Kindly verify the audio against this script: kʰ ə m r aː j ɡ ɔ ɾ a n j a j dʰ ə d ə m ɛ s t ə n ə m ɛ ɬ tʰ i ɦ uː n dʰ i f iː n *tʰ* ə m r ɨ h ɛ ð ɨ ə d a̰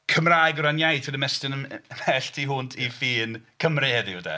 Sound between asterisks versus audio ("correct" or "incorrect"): incorrect